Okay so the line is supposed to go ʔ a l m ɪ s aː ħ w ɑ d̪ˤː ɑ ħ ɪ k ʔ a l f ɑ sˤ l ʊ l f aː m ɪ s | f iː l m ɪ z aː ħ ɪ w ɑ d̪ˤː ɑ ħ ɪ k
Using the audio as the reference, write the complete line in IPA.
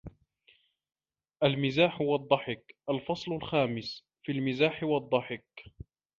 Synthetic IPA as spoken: ʔ a l m ɪ z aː ħ w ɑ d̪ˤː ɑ ħ ɪ k ʔ a l f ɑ sˤ l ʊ l x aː m ɪ s | f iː l m ɪ z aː ħ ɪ w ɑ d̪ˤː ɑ ħ ɪ k

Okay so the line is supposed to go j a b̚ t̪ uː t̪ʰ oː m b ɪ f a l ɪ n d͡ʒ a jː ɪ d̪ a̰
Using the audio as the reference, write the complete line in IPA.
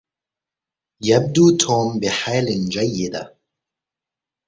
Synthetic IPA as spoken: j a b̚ d̪ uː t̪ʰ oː m b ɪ ħ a l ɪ n d͡ʒ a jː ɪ d̪ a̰

